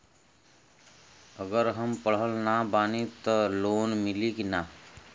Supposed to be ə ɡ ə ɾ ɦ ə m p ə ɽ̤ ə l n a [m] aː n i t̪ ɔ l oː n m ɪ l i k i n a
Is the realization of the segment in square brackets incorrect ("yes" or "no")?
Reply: yes